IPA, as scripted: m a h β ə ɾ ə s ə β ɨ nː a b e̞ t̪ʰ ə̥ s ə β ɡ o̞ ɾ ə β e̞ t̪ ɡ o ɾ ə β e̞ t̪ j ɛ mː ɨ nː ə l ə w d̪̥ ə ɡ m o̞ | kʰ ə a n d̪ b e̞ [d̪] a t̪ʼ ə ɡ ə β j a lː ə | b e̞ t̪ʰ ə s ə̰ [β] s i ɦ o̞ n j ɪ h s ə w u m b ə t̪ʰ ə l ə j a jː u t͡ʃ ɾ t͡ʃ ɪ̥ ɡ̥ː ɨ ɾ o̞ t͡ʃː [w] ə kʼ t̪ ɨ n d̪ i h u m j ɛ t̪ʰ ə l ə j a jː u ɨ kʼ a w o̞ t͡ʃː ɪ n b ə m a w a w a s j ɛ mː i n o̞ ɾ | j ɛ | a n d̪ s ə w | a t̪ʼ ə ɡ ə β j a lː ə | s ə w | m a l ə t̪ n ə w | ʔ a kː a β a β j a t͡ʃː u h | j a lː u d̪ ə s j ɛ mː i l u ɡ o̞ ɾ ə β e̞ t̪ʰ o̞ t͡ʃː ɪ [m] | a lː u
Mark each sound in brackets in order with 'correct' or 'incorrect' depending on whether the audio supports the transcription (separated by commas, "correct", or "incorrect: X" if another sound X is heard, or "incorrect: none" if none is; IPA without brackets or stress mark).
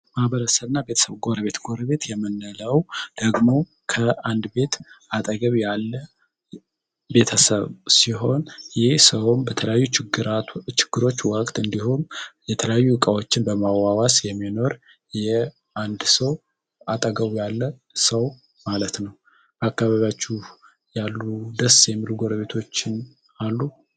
incorrect: t̪, correct, correct, incorrect: n